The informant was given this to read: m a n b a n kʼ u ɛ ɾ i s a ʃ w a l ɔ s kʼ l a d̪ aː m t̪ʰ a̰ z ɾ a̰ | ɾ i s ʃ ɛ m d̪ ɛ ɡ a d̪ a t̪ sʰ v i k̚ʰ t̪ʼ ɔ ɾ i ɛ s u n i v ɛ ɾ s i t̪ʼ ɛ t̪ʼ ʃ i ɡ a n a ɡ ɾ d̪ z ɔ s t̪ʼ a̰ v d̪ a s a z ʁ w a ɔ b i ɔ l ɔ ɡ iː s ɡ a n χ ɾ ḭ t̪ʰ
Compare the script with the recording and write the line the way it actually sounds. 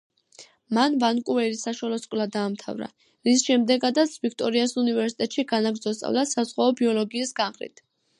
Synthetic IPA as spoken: m a n v a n kʼ u ɛ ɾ i s a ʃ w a l ɔ s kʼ l a d̪ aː m t̪ʰ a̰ v ɾ a̰ | ɾ i s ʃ ɛ m d̪ ɛ ɡ a d̪ a t̪ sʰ v i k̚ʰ t̪ʼ ɔ ɾ i a s u n i v ɛ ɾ s i t̪ʼ ɛ t̪ʼ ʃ i ɡ a n a ɡ ɾ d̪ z ɔ s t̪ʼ a̰ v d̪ a s a z ʁ w a ɔ b i ɔ l ɔ ɡ iː s ɡ a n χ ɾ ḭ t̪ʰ